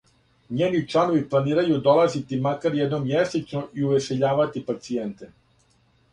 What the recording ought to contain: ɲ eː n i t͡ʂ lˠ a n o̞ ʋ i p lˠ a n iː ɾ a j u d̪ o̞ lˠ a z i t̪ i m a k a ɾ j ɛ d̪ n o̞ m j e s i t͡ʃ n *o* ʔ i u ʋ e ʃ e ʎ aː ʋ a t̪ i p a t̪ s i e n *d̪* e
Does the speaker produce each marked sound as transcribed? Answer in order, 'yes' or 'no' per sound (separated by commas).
yes, no